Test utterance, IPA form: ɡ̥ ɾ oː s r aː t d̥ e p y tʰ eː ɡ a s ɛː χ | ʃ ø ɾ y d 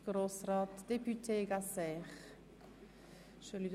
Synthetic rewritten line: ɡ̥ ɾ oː s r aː t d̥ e p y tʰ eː ɡ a s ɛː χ | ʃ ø l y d